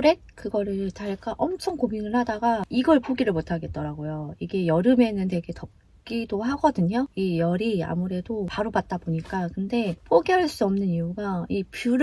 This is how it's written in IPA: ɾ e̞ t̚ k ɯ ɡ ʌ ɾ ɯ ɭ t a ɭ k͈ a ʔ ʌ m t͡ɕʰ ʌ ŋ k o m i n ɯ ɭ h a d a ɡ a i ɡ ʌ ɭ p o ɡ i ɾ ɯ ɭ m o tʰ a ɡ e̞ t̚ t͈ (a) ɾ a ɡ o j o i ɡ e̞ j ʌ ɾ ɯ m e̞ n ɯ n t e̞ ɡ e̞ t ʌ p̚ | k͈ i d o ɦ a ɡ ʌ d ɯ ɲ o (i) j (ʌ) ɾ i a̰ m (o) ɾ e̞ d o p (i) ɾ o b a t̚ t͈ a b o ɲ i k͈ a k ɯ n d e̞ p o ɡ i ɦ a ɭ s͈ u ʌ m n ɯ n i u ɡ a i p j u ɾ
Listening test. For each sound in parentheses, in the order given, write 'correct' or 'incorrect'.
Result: incorrect: ʌ, correct, correct, incorrect: u, incorrect: a

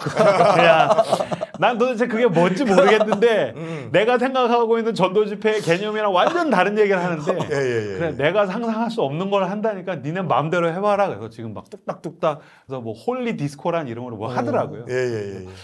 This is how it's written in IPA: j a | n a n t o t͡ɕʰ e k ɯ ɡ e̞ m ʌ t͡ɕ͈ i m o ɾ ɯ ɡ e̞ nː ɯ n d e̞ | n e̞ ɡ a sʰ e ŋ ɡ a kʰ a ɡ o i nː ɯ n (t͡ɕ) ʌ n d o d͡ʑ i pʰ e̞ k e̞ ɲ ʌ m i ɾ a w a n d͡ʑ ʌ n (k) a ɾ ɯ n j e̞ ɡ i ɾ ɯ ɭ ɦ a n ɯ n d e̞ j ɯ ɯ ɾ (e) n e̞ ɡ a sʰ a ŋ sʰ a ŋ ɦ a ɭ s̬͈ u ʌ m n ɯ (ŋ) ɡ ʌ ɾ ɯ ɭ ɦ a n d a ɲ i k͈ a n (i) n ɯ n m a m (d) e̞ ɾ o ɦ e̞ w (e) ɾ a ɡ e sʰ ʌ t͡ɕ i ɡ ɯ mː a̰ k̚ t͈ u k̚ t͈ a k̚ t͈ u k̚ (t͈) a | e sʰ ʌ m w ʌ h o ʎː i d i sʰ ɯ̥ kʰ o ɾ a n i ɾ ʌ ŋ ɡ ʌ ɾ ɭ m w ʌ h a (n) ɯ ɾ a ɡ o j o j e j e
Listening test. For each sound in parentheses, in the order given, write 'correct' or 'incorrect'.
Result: correct, incorrect: t, correct, incorrect: n, correct, correct, incorrect: a, correct, incorrect: d

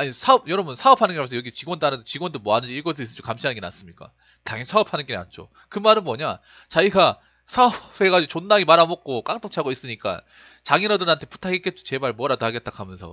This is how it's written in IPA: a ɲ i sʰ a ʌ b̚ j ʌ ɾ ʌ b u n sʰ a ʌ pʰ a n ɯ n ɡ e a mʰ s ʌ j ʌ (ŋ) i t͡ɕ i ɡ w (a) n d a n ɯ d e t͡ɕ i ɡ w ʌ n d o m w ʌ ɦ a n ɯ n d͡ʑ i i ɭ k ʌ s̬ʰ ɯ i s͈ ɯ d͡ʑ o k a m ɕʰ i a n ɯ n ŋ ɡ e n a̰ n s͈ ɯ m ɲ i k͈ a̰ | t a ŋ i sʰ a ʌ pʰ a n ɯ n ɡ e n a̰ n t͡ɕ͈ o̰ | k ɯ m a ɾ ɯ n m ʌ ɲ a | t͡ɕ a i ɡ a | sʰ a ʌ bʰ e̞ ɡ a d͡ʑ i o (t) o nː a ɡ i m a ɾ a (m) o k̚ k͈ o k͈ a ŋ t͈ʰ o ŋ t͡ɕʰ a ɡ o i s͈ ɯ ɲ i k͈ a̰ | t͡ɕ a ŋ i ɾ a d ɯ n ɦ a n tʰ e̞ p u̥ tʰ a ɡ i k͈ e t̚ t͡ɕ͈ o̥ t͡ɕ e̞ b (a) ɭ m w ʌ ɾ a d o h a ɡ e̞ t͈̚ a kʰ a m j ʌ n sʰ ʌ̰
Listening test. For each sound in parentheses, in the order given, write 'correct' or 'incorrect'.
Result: incorrect: ɡ, incorrect: ʌ, incorrect: t͡ɕ, correct, correct

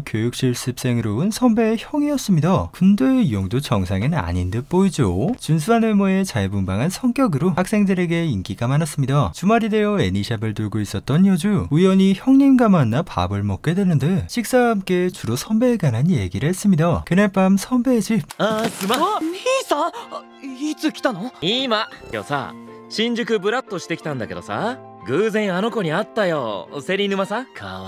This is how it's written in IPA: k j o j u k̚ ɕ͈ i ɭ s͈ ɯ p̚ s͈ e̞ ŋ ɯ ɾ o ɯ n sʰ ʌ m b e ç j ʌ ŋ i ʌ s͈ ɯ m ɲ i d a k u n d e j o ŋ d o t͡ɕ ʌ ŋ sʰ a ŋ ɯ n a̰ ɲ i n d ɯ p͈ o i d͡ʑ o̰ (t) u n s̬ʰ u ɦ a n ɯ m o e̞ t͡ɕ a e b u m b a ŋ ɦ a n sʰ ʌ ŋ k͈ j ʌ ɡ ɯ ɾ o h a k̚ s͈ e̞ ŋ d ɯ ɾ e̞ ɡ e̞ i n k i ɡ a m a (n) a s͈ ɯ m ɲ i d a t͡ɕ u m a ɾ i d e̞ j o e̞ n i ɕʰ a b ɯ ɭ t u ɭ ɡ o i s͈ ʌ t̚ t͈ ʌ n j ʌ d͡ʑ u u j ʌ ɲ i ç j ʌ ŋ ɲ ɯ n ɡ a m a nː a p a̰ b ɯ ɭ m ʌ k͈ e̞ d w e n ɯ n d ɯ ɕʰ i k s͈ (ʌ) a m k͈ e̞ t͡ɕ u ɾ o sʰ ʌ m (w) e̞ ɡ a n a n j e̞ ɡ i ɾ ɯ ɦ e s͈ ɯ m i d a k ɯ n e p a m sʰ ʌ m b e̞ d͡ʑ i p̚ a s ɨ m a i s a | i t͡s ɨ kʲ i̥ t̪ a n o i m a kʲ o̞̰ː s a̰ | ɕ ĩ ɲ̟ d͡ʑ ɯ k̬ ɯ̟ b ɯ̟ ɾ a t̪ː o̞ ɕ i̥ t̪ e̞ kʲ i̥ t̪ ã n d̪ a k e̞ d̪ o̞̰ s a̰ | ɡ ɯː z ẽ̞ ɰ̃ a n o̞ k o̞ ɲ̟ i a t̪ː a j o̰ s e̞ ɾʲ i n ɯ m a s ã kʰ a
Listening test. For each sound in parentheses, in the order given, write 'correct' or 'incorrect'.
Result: incorrect: t͡ɕ, correct, incorrect: a, incorrect: b

